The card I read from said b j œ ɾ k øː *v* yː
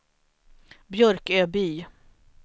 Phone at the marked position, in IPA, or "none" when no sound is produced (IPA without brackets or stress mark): b